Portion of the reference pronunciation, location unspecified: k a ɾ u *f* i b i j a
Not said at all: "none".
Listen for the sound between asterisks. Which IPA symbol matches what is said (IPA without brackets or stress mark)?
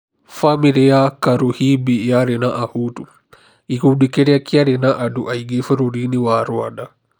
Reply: h